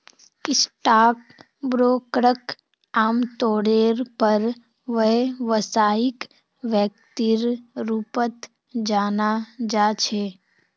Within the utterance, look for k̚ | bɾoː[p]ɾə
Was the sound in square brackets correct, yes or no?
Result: no